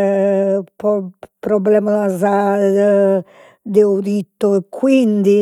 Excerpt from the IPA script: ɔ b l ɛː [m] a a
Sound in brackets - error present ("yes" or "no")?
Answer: no